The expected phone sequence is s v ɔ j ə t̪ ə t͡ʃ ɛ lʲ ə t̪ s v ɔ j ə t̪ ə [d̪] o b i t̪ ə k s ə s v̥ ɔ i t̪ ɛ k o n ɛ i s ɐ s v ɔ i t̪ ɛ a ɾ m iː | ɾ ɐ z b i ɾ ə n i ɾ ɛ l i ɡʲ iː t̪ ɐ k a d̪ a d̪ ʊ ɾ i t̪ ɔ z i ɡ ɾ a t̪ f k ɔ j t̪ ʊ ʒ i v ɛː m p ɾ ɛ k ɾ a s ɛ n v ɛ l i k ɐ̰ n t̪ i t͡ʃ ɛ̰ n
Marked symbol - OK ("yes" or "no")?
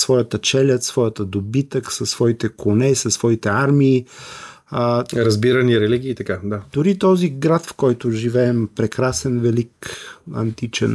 yes